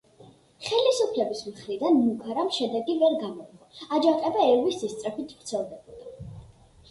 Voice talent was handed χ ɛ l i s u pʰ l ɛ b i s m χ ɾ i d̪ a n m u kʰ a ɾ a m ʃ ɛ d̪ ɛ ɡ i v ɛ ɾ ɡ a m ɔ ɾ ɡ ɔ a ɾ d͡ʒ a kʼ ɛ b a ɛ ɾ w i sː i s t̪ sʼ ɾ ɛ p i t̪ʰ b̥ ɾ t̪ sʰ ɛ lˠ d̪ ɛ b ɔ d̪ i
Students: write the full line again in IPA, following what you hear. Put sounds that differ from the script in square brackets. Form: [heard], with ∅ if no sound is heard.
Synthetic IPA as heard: χ ɛ l i s u pʰ l ɛ b i s m χ ɾ i d̪ a n m u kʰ a ɾ a m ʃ ɛ d̪ ɛ ɡ i v ɛ ɾ ɡ a m ɔ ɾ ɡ ɔ a [∅] d͡ʒ a [qʼ] ɛ b a ɛ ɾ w i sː i s t̪ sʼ ɾ ɛ p i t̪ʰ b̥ ɾ t̪ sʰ ɛ lˠ d̪ ɛ b ɔ d̪ [a]